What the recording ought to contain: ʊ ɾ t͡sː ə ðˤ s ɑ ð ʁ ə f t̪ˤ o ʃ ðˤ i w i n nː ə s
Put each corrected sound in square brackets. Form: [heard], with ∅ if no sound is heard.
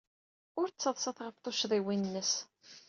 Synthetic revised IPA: ʊ ɾ t͡sː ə ðˤ s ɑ [θ] ʁ ə f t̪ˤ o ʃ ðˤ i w i n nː ə s